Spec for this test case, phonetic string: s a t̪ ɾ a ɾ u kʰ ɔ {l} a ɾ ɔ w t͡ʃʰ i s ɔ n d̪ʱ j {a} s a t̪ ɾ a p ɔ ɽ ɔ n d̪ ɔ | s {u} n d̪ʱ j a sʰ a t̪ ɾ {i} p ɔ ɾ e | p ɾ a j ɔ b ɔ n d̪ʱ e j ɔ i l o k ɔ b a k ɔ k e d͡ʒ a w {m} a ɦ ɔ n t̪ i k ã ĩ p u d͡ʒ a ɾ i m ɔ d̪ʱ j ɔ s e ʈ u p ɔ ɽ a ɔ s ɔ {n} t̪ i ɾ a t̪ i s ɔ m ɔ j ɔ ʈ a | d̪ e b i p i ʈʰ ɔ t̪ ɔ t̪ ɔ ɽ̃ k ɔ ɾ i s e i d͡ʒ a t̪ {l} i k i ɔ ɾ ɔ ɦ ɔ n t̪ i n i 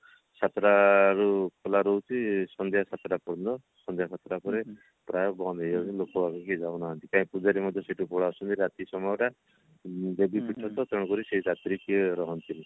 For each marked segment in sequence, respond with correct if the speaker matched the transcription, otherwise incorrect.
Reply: correct, correct, incorrect, incorrect, incorrect, correct, incorrect

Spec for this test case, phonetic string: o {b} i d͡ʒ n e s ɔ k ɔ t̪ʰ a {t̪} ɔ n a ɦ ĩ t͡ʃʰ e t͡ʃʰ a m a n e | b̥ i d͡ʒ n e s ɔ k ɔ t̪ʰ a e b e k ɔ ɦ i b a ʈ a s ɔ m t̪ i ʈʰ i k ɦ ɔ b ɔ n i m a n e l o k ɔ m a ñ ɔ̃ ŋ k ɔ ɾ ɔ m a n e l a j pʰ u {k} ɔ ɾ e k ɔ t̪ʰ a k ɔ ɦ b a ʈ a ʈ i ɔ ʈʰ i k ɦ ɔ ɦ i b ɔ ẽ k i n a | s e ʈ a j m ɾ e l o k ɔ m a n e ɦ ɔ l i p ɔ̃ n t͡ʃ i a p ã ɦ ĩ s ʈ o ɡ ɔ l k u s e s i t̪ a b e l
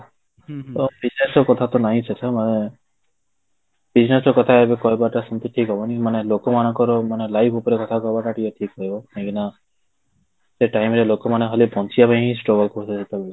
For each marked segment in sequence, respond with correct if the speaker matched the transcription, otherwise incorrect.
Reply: correct, correct, incorrect

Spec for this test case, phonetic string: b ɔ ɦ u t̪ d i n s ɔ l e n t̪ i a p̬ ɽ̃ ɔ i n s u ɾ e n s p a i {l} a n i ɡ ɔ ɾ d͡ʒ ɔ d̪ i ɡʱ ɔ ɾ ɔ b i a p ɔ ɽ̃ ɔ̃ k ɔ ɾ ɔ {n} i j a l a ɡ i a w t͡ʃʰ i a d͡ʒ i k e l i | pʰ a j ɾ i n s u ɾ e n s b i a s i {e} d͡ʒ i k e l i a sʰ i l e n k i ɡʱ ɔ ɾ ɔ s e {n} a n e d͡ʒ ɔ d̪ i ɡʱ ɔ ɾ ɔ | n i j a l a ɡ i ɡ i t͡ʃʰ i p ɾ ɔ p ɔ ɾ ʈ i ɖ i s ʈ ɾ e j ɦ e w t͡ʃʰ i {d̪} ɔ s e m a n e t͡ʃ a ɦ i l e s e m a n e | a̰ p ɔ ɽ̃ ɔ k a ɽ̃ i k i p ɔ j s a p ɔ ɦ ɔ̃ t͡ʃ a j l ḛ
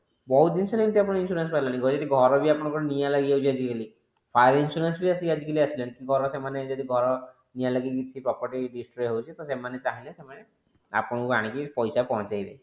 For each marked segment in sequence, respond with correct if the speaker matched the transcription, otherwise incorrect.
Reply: correct, correct, incorrect, incorrect, incorrect

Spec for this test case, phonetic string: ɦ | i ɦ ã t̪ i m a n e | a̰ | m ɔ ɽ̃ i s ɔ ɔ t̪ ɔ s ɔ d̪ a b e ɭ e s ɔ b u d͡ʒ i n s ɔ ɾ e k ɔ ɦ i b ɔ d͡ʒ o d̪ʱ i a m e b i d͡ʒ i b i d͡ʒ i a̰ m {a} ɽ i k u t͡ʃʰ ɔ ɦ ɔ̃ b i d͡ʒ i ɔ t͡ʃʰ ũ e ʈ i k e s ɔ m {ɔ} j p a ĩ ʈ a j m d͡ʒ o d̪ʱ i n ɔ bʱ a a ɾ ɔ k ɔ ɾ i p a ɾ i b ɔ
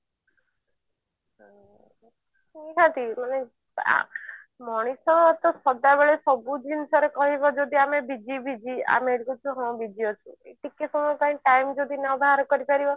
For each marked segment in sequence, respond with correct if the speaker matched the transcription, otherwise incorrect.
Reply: incorrect, correct

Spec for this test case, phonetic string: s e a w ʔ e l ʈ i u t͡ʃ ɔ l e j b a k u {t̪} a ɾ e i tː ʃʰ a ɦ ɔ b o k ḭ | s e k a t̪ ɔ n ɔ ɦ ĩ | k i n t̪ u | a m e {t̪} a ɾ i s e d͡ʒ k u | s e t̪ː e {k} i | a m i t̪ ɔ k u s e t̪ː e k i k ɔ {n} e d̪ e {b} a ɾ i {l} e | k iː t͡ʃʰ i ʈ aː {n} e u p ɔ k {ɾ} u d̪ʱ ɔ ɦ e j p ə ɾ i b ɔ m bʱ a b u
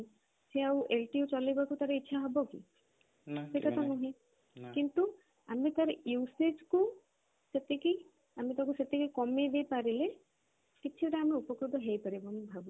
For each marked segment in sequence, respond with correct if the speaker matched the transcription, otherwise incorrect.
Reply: correct, correct, correct, incorrect, incorrect, correct, incorrect, correct

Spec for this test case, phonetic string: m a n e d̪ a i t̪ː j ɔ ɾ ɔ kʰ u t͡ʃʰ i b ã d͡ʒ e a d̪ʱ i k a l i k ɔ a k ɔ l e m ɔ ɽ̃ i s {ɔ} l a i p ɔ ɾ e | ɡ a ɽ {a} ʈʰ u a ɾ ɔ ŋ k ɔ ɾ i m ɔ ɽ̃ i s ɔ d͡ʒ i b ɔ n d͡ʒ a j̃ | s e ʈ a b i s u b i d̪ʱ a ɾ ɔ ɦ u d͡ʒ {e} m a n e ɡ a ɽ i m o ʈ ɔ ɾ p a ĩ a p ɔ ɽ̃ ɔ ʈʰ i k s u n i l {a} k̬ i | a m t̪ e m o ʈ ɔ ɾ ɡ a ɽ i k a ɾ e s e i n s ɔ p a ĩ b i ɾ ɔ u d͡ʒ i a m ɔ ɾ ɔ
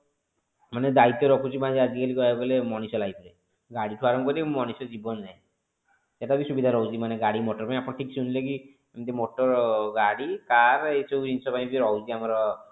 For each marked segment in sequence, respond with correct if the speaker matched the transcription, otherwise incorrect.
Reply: correct, incorrect, incorrect, incorrect

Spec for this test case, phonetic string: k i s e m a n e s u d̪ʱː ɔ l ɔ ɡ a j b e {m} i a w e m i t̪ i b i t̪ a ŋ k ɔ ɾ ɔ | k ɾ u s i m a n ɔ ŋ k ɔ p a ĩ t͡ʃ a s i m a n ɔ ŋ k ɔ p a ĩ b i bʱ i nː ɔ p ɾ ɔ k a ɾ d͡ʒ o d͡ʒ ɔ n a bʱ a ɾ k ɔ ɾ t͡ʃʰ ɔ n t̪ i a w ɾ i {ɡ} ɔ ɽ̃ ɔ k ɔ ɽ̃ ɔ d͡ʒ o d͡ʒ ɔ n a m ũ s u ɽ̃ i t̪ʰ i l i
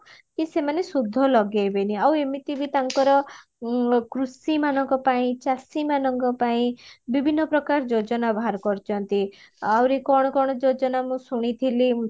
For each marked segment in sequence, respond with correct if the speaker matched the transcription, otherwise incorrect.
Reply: incorrect, incorrect

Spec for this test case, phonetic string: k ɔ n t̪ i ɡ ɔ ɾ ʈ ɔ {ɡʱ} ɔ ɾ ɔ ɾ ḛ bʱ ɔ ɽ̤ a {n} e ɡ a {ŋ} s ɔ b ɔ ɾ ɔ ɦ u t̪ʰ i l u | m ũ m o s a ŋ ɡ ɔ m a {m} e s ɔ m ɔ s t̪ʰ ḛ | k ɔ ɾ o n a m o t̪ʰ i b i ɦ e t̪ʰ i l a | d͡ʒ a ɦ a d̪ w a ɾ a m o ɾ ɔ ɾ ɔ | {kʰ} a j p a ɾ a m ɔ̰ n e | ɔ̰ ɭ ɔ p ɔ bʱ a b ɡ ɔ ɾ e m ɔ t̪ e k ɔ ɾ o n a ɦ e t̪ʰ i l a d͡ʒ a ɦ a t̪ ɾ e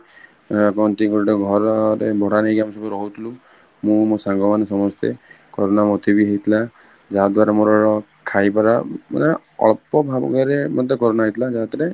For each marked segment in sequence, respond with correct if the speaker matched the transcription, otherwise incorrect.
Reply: correct, correct, incorrect, incorrect, correct

